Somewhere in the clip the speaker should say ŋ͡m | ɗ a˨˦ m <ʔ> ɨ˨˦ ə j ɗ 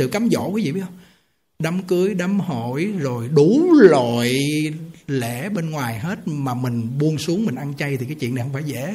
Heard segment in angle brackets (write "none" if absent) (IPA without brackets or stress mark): k